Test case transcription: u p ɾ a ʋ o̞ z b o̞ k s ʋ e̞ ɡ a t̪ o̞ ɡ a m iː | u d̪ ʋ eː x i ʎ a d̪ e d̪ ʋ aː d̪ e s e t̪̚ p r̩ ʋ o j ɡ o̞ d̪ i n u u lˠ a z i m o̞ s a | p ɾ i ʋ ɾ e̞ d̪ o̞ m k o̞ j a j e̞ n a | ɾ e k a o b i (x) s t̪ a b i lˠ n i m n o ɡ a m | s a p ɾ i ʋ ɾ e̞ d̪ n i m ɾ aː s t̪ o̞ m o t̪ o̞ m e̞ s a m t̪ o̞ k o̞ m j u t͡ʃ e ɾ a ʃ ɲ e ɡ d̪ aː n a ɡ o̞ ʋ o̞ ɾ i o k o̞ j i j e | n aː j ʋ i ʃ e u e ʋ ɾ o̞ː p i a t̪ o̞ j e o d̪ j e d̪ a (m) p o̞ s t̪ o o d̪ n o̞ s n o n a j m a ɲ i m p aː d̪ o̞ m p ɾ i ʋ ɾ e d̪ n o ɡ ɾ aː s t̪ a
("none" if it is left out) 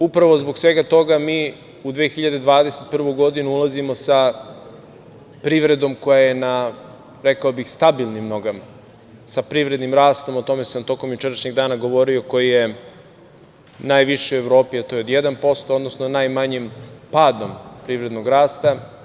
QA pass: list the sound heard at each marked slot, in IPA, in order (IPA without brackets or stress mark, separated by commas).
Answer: x, n